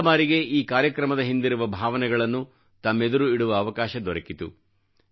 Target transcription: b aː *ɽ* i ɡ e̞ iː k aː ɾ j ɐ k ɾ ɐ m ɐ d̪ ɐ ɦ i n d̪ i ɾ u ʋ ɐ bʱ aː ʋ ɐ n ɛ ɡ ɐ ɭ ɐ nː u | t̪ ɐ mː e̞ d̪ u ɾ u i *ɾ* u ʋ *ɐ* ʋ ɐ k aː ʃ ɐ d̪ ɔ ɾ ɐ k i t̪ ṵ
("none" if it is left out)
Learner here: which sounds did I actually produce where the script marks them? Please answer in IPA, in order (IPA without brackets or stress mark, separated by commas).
ɾ, ɽ, ɐː